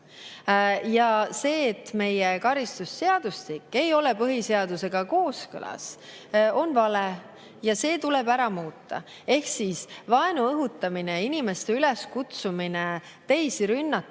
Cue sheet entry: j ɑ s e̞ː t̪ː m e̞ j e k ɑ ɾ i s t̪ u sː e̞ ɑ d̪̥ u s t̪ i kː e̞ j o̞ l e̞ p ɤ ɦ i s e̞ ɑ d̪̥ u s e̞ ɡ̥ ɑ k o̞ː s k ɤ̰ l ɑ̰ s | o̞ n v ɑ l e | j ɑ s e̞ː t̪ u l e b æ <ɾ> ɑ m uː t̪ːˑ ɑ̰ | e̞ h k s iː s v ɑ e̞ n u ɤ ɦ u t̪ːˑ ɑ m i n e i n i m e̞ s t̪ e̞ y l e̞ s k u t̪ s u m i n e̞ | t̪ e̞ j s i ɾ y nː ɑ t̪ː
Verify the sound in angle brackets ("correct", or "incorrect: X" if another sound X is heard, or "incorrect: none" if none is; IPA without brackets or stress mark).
correct